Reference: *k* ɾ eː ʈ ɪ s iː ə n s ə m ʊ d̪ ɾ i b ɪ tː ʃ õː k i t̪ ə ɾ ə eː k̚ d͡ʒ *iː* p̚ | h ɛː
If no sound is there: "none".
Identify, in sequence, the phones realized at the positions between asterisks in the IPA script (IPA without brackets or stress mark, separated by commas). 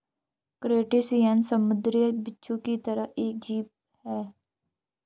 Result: k, iː